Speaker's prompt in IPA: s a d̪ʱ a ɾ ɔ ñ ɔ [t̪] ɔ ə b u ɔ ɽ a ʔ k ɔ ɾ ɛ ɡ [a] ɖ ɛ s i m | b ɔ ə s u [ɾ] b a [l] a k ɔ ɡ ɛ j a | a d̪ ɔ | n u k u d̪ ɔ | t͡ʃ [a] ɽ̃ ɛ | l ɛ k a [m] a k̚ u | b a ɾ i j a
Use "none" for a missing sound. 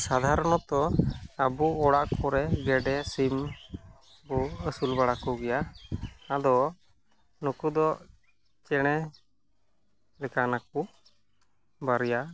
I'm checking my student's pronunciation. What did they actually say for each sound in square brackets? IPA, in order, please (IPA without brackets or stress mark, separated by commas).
t̪, ɛ, l, ɽ, ɛ, n